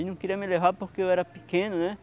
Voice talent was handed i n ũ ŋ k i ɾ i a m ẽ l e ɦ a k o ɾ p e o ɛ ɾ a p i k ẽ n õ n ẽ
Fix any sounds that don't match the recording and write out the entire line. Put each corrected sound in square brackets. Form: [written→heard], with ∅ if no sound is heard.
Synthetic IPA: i n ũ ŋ k i ɾ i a m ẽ l e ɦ a [k→p] o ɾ [p→k] e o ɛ ɾ a p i k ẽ n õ n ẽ

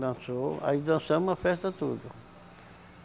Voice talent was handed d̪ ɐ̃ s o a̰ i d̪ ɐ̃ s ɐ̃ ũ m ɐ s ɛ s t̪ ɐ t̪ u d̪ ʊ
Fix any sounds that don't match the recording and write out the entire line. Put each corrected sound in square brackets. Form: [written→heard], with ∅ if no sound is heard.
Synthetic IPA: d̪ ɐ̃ s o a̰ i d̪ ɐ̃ s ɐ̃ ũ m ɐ [s→f] ɛ s t̪ ɐ t̪ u d̪ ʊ

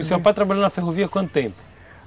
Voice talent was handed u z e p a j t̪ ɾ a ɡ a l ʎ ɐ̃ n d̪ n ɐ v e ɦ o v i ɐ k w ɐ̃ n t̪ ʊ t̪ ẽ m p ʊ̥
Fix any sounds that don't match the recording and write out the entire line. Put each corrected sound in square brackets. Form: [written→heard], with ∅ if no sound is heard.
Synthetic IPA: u [z→s] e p a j t̪ ɾ a [ɡ→b] a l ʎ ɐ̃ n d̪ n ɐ [v→f] e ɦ o v i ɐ k w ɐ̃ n t̪ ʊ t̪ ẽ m p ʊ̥

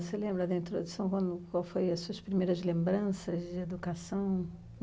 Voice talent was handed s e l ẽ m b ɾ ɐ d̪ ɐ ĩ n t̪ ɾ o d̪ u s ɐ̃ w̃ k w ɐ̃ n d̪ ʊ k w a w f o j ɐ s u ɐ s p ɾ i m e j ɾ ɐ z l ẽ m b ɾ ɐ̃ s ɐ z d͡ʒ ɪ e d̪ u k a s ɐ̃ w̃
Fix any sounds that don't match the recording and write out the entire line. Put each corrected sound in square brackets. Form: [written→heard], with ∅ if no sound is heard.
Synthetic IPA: s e l ẽ m b ɾ ɐ d̪ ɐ ĩ n t̪ ɾ o d̪ u s ɐ̃ w̃ k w ɐ̃ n d̪ ʊ k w a w f o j ɐ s u ɐ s p ɾ i m e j ɾ ɐ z l ẽ m b ɾ ɐ̃ s ɐ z d͡ʒ ɪ e d̪ u k a s ɐ̃ w̃

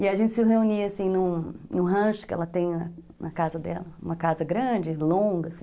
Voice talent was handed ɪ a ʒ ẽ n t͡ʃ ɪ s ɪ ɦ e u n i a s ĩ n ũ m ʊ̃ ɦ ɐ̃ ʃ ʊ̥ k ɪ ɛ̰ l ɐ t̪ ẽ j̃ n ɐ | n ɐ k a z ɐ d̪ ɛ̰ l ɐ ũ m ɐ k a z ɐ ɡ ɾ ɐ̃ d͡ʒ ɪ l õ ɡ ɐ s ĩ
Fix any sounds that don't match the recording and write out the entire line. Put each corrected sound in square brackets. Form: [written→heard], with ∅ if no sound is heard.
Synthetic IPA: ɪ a ʒ ẽ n t͡ʃ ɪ s ɪ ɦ e u n i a s ĩ n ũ [m→n] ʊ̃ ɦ ɐ̃ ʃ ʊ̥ k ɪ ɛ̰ l ɐ t̪ ẽ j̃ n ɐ | n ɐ k a z ɐ d̪ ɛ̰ l ɐ ũ m ɐ k a z ɐ ɡ ɾ ɐ̃ d͡ʒ ɪ l õ ɡ ɐ s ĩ

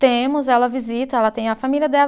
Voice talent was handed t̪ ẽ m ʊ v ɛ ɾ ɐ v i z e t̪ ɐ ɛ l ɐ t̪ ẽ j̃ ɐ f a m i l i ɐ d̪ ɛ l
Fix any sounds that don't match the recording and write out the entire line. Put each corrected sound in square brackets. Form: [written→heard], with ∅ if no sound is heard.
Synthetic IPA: t̪ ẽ m ʊ [v→z] ɛ [ɾ→l] ɐ v i z [e→i] t̪ ɐ ɛ l ɐ t̪ ẽ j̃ ɐ f a m i l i ɐ d̪ ɛ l

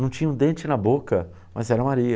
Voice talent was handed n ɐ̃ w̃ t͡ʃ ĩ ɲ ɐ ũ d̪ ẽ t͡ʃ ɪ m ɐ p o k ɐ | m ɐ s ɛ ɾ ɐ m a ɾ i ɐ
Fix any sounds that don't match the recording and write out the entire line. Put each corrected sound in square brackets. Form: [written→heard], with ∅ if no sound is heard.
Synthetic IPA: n ɐ̃ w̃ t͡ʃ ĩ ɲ ɐ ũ d̪ ẽ t͡ʃ ɪ [m→n] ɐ [p→b] o k ɐ | m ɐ [s→z] ɛ ɾ ɐ m a ɾ i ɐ

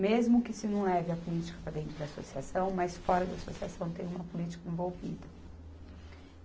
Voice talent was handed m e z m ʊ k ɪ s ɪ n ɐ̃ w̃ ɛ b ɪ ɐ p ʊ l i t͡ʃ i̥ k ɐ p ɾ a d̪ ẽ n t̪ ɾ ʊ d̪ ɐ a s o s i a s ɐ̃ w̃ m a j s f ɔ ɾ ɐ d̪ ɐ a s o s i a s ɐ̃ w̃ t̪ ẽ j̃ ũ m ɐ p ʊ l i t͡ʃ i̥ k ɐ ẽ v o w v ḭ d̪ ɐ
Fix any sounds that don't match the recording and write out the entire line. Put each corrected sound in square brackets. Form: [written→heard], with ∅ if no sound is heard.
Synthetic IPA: m e z m ʊ k ɪ s ɪ n ɐ̃ w̃ ɛ [b→v] ɪ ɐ p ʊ l i t͡ʃ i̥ k ɐ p ɾ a d̪ ẽ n t̪ ɾ ʊ d̪ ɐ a s o s i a s ɐ̃ w̃ m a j s f ɔ ɾ ɐ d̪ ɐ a s o s i a s ɐ̃ w̃ t̪ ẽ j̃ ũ m ɐ p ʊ l i t͡ʃ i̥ k ɐ ẽ v o w v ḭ d̪ ɐ

